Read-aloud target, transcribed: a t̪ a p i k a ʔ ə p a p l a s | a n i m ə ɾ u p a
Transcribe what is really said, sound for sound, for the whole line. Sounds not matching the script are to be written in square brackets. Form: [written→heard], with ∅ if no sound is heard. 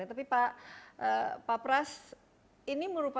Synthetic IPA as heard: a t̪ a p i [k→p] a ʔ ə p a p [l→ɾ] a s | [a→i] n i m ə ɾ u p a

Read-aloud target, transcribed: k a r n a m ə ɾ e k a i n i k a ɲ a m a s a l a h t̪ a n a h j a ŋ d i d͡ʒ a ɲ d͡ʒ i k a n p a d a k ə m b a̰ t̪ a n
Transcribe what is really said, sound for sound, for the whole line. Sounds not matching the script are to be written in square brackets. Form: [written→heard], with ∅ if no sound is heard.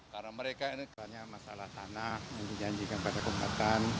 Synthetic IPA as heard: k a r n a m ə ɾ e k a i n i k a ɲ a m a s a l a h t̪ a n a h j a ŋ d i d͡ʒ a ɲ d͡ʒ i k a n p a d a k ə m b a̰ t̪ a n

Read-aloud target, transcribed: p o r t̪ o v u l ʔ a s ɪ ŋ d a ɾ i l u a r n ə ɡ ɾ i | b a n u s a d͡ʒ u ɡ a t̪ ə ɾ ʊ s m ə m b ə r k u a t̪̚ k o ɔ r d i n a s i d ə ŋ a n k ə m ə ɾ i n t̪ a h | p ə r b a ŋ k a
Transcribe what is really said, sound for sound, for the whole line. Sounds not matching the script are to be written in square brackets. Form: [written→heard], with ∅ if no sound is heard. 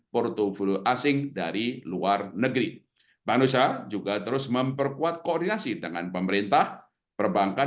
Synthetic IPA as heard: p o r t̪ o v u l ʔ a s ɪ ŋ d a ɾ i l u a r n ə ɡ ɾ i | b a n u s a d͡ʒ u ɡ a t̪ ə ɾ ʊ s m ə m [b→p] ə r k u a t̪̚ k o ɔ r d i n a s i d ə ŋ a n [k→p] ə m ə ɾ i n t̪ a h | p ə r b a ŋ k a

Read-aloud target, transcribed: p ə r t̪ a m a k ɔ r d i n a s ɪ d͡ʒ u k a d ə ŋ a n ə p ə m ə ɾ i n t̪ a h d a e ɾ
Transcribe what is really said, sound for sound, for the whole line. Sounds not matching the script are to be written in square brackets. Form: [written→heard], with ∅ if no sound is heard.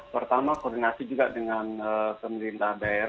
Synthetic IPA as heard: p ə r t̪ a m a k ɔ r d i n a s [ɪ→i] d͡ʒ u [k→ɡ] a d ə ŋ a n ə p ə m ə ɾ i n t̪ a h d a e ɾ

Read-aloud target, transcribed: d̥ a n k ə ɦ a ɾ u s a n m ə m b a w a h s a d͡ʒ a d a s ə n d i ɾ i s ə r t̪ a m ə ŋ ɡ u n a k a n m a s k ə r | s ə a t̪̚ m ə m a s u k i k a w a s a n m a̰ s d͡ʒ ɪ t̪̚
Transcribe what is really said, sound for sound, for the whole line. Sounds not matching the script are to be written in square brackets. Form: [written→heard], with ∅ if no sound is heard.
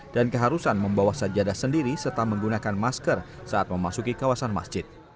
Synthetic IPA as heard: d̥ a n k ə ɦ a ɾ u s a n m ə m b a w a h s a d͡ʒ a d a s ə n d i ɾ i s ə r t̪ a m ə ŋ ɡ u n a k a n m a s k ə r | s [ə→a] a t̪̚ m ə m a s u k i k a w a s a n m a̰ s d͡ʒ ɪ t̪̚

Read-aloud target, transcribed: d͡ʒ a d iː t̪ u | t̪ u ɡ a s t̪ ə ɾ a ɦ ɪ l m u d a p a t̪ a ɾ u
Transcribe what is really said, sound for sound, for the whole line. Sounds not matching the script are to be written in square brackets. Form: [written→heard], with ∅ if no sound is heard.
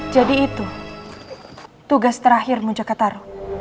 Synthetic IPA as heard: d͡ʒ a d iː t̪ u | t̪ u ɡ a s t̪ ə ɾ a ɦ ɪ [l→r] m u [d→d͡ʒ] a [p→k] a t̪ a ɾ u

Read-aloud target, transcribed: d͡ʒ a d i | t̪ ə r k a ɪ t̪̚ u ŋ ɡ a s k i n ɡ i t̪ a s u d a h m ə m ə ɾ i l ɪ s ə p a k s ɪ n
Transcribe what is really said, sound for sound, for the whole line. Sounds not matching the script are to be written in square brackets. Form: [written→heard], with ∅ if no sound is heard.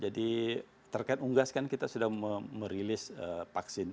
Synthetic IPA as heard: d͡ʒ a d i | t̪ ə r k a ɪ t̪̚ u ŋ ɡ a s k [i→a] n [ɡ→k] i t̪ a s u d a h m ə m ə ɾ i l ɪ s ə p a k s ɪ n

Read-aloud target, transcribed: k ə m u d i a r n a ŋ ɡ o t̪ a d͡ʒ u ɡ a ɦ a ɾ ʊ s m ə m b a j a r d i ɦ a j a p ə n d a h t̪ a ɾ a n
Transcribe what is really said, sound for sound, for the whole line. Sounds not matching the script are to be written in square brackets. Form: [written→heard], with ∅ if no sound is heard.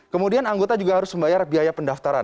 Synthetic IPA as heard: k ə m u d i a [r→∅] n a ŋ ɡ o t̪ a d͡ʒ u ɡ a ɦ a ɾ ʊ s m ə m b a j a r [d→b] i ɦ a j a p ə n d a [h→f] t̪ a ɾ a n

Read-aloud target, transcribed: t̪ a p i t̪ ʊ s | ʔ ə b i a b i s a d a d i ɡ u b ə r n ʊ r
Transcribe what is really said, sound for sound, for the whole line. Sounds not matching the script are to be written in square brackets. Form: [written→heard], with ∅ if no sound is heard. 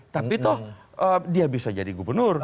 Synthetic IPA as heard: t̪ a p i t̪ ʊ [s→h] | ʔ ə [b→d] i a b i s a [d→d͡ʒ] a d i ɡ u b ə r n ʊ r

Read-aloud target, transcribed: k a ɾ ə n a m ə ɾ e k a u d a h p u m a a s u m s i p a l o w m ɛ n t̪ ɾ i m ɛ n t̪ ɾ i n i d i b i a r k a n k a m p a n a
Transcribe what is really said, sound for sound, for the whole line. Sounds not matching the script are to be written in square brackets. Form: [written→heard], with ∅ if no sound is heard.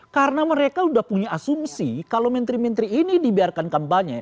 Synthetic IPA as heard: k a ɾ ə n a m ə ɾ e k a u d a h p u [m→ɲ] a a s u m s i [p→k] a l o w m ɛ n t̪ ɾ i m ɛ n t̪ ɾ [i→iː] n i d i b i a r k a n k a m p a [n→ɲ] a

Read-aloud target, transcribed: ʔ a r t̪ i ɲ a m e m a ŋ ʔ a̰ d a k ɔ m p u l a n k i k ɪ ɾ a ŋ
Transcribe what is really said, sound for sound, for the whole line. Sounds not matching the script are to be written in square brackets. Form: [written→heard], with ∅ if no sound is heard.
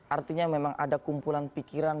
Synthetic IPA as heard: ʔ a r t̪ i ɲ a m e m a ŋ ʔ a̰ d a k [ɔ→u] m p u l a n [k→p] i k [ɪ→i] ɾ a [ŋ→n]

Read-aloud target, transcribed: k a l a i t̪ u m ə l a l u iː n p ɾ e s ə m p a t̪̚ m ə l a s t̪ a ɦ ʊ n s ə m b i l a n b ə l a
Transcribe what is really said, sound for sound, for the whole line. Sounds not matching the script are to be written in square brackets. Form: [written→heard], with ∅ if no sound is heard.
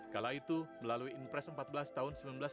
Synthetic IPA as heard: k a l a i t̪ u m ə l a l u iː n p ɾ [e→ɛ] s ə m p a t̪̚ [m→b] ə l a s t̪ a ɦ ʊ n s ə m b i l a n b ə l a

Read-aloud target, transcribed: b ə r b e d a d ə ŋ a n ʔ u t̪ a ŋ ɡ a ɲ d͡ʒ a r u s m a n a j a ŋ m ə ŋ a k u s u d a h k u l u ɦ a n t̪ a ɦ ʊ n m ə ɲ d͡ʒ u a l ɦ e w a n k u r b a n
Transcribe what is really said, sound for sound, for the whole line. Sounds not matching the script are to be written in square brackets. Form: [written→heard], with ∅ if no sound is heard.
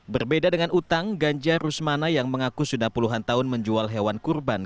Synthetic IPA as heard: b ə r b e d a d ə ŋ a n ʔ u t̪ a ŋ ɡ a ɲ d͡ʒ a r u s m a n a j a ŋ m ə ŋ a k u s u d a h [k→p] u l u ɦ a n t̪ a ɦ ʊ n m ə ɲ d͡ʒ u a l ɦ e w a n k u r b a n

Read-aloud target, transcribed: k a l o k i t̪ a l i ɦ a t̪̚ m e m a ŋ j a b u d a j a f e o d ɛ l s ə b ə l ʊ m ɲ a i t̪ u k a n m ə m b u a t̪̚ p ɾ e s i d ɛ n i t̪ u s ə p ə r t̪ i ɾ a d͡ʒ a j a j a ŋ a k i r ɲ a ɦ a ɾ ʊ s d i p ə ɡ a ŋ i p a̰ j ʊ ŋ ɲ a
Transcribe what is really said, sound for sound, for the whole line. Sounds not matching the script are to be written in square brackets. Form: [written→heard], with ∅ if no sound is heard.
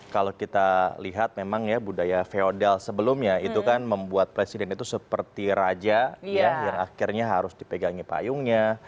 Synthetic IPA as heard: k a l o k i t̪ a l i ɦ a t̪̚ m e m a ŋ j a b u d a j a f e o d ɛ l s ə b ə l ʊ m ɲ a i t̪ u k a n m ə m b u a t̪̚ p ɾ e s i d ɛ n i t̪ u s ə p ə r t̪ i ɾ a d͡ʒ a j a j a ŋ a k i r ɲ a ɦ a ɾ ʊ s d i p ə ɡ a ŋ i p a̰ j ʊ ŋ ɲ a

